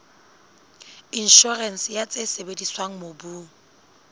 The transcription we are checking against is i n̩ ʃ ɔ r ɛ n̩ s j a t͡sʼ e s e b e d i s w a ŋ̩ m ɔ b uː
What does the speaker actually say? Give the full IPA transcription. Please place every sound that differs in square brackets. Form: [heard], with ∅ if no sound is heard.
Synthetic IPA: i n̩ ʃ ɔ r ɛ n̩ s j a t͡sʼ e s e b e d i s w a ŋ̩ m [o] b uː